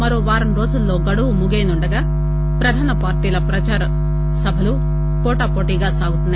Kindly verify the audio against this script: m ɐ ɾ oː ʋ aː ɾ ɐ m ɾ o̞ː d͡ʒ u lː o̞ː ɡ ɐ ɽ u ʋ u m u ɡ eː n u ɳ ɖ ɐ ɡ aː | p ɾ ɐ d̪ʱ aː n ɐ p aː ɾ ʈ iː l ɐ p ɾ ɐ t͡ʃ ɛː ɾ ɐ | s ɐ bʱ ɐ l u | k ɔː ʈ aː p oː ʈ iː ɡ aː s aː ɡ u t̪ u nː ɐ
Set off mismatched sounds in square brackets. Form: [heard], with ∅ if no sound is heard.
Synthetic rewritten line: m ɐ ɾ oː ʋ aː ɾ ɐ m ɾ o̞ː d͡ʒ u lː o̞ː ɡ ɐ ɽ u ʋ u m u ɡ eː n u ɳ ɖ ɐ ɡ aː | p ɾ ɐ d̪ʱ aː n ɐ p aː ɾ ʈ iː l ɐ p ɾ ɐ t͡ʃ [aː] ɾ ɐ | s ɐ bʱ ɐ l u | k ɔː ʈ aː p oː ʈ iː ɡ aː s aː ɡ u t̪ u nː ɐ